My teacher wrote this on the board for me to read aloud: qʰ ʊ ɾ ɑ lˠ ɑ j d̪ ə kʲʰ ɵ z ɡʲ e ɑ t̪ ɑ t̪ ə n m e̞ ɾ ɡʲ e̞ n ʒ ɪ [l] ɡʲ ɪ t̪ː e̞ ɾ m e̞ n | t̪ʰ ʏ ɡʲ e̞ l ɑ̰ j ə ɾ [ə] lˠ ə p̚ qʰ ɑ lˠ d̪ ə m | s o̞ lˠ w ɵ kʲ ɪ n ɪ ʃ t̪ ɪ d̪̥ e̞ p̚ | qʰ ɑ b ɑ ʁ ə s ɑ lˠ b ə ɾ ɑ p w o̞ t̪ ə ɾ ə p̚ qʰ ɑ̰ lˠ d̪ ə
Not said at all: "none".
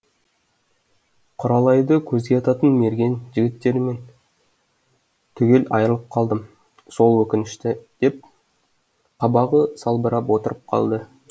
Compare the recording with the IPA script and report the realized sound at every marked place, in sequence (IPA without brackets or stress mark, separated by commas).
none, ə